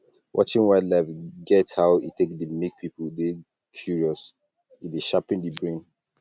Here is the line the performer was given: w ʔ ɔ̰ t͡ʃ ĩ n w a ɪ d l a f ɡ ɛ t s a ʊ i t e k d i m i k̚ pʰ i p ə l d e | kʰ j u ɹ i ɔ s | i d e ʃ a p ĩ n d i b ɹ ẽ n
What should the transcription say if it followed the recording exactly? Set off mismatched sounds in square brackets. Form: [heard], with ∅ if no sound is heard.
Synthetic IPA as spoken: w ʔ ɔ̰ t͡ʃ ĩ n w a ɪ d l a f ɡ ɛ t [h] a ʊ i t e k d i m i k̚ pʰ i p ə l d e | kʰ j u ɹ i ɔ s | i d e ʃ a p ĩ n d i b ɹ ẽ n